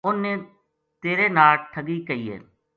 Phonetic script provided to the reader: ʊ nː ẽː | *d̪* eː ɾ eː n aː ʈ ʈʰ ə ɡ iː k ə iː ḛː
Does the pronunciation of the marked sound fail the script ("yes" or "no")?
yes